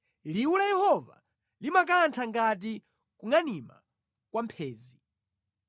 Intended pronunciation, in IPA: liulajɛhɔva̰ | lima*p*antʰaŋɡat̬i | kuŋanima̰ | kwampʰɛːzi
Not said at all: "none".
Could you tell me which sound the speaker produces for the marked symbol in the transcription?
k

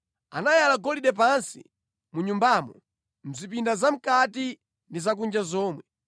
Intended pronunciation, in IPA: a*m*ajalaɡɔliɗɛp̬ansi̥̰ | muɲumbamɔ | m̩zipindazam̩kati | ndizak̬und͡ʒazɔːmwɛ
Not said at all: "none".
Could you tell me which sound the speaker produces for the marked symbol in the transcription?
n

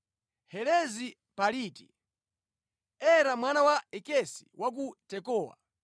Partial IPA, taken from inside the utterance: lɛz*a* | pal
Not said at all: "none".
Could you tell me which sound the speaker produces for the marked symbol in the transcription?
i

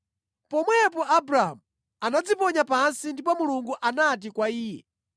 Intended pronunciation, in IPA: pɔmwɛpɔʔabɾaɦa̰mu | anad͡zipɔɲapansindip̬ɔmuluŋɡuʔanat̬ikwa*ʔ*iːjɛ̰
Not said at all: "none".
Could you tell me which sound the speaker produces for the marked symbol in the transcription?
none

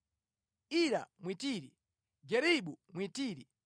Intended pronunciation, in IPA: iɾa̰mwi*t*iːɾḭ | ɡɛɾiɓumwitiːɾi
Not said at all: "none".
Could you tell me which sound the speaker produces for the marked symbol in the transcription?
t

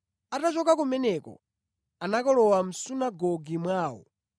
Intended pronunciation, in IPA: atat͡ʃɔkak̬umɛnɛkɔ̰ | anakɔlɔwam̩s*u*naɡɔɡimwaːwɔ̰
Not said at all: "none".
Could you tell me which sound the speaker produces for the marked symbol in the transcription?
u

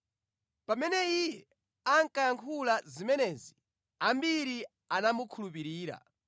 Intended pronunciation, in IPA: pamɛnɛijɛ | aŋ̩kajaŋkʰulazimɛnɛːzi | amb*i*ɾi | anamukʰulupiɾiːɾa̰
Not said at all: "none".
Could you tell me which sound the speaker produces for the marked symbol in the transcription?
i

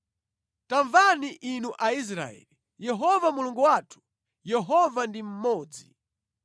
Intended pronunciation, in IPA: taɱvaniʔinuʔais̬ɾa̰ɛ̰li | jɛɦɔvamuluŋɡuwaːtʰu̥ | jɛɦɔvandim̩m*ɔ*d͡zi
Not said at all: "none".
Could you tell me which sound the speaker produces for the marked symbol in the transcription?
ɔː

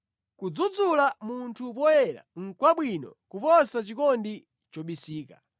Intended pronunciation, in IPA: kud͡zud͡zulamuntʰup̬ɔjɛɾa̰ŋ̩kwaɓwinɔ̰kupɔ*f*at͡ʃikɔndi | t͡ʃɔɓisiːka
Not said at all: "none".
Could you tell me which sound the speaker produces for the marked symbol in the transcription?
s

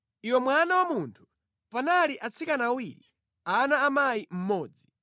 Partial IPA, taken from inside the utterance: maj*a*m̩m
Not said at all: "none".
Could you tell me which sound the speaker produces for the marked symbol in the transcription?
i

